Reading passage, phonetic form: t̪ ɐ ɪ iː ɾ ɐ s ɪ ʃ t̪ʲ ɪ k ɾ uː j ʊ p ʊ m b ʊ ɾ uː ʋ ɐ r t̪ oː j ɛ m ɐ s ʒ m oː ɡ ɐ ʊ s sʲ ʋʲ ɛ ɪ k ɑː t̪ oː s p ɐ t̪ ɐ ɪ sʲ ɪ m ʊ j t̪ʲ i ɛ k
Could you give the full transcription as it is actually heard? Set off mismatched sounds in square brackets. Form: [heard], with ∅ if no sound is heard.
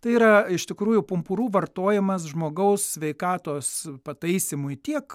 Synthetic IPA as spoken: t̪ ɐ ɪ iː ɾ ɐ [∅] ɪ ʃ t̪ʲ ɪ k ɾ uː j ʊ p ʊ m [p] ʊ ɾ uː ʋ ɐ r t̪ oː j ɛ m ɐ s ʒ m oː ɡ ɐ ʊ s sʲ ʋʲ ɛ ɪ k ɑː t̪ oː s p ɐ t̪ ɐ ɪ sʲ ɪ m ʊ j t̪ʲ i ɛ k